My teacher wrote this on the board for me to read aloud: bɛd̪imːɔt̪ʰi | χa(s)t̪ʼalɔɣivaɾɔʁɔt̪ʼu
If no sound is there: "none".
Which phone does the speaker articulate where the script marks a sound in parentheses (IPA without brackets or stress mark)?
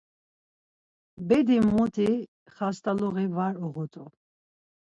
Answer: s